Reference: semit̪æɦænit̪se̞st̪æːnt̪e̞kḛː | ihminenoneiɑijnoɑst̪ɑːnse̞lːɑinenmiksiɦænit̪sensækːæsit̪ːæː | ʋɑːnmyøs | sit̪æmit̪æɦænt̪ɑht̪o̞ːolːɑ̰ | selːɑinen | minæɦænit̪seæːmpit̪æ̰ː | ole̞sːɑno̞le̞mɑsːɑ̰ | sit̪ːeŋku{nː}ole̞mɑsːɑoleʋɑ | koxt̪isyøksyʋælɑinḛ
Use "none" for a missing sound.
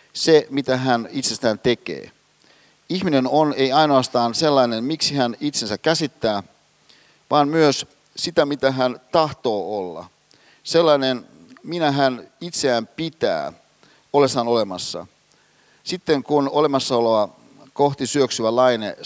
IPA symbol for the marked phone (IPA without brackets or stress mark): n